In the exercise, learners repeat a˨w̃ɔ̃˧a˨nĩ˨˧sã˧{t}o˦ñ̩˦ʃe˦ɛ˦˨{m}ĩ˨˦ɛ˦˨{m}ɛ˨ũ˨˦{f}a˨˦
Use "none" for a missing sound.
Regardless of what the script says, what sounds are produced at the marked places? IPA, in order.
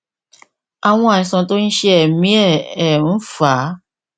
t, m, none, f

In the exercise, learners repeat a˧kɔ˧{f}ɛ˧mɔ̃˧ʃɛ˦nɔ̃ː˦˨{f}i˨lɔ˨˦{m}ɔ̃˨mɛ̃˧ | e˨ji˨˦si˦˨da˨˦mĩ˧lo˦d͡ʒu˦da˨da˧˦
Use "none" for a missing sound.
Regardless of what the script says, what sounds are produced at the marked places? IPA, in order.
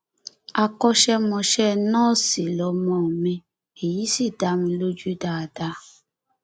ʃ, s, m

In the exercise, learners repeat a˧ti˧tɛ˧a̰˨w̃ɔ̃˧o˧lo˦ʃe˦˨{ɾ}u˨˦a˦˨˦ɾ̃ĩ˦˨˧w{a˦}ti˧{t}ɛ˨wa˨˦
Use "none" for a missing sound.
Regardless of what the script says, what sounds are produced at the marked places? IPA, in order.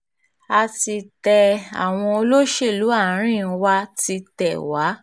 l, a˦, t

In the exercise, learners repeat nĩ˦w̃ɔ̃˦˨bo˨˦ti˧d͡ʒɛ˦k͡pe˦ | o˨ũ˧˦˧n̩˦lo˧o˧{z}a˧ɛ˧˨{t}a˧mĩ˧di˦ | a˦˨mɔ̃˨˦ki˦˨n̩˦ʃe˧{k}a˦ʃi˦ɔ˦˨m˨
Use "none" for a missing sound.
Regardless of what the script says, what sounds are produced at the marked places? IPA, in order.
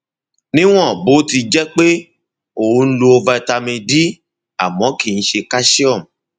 v, t, k

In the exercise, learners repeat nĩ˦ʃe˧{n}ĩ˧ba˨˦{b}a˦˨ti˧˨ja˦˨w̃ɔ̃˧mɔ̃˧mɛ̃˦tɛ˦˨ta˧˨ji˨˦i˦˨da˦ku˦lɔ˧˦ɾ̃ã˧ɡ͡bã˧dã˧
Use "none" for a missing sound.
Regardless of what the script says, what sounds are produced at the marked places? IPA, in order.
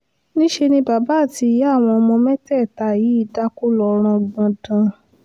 n, b

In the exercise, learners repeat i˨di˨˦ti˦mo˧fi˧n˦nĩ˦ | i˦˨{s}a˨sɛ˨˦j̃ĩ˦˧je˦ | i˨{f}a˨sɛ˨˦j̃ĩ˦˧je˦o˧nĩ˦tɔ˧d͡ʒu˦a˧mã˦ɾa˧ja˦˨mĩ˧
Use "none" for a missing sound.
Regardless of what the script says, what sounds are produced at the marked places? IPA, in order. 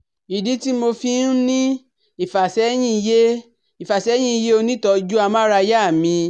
f, f

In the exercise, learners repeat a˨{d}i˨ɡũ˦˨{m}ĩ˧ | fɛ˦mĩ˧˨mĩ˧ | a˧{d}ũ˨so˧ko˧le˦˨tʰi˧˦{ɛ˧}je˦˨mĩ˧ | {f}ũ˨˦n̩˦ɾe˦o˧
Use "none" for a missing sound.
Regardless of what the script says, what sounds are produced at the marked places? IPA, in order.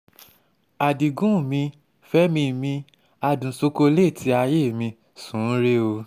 d, m, d, a˧, s

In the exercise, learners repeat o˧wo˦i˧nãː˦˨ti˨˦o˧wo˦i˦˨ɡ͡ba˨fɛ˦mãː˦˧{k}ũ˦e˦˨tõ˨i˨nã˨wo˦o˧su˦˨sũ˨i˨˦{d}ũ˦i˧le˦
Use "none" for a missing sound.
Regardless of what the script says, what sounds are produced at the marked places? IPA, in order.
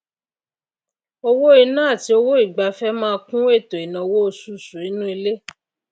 k, n

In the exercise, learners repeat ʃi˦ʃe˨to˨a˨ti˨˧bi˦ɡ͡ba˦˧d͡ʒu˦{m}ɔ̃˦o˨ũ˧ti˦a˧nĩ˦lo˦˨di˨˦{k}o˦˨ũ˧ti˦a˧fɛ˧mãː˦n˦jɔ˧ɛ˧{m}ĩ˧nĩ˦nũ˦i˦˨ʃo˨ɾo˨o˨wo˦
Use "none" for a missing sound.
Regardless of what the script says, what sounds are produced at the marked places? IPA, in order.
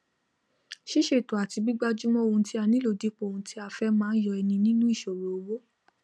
m, k͡p, n

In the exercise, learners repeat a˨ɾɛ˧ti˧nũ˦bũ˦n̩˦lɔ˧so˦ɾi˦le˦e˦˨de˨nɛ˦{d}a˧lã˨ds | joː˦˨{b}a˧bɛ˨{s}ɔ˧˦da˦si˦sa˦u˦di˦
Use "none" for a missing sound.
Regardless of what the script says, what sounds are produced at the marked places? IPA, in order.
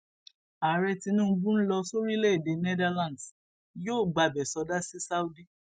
d, ɡ͡b, s

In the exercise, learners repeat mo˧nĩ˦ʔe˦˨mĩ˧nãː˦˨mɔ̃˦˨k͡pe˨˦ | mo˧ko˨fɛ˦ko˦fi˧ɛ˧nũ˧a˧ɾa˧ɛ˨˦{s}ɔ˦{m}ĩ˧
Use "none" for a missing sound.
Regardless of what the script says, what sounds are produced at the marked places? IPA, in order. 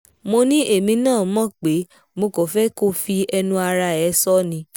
s, n

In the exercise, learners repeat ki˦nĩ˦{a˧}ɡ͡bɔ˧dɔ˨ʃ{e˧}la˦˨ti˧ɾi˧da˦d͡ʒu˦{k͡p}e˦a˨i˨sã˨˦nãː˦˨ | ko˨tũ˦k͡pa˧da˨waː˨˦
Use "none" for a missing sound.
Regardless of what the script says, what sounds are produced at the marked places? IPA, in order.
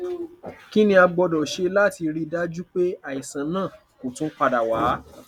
a˧, e˧, k͡p

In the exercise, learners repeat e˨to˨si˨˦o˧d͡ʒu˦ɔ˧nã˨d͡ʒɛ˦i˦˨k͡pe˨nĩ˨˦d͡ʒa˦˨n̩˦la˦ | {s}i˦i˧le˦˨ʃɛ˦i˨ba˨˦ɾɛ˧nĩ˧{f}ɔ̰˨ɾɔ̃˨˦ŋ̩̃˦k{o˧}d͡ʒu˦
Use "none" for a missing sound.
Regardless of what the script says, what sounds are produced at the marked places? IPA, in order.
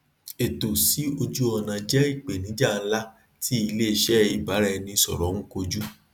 t, s, o˧

